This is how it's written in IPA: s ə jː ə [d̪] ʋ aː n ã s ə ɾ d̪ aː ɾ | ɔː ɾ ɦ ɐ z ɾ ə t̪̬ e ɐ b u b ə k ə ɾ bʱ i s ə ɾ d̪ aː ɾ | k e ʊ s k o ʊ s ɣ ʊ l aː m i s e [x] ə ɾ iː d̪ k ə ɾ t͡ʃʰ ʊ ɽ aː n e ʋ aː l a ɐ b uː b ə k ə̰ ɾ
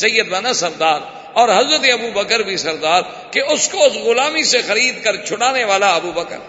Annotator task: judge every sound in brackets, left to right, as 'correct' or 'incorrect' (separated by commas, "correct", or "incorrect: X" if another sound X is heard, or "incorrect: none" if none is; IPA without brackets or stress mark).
correct, correct